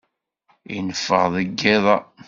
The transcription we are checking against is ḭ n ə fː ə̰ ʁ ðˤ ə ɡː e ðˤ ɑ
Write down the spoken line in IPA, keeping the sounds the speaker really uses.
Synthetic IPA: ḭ n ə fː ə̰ ʁ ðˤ ə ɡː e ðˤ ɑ